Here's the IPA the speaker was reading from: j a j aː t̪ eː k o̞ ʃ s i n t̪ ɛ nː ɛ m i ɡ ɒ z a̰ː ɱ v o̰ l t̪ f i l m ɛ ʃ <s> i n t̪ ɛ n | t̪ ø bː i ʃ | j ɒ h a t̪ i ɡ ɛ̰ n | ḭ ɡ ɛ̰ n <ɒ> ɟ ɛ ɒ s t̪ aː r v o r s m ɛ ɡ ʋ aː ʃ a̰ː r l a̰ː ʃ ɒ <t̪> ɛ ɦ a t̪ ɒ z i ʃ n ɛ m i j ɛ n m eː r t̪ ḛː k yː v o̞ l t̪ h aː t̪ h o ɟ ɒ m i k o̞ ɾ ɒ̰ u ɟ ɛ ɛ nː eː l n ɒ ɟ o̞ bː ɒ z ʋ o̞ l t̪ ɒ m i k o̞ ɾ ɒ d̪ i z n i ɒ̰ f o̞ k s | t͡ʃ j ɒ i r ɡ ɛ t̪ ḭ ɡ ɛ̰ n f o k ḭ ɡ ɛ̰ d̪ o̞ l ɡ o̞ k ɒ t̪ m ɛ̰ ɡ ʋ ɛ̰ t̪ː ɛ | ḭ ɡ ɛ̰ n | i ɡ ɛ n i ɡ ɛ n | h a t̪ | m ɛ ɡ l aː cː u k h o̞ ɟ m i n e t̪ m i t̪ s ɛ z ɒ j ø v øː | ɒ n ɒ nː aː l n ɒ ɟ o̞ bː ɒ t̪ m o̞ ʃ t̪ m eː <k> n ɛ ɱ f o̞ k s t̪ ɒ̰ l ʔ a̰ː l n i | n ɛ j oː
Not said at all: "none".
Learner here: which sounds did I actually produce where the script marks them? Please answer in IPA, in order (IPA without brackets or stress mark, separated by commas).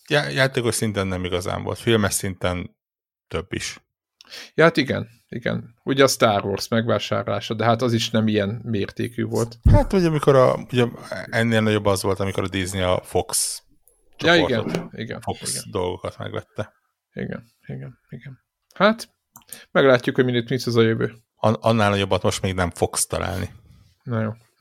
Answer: s, u, d̪, ɡ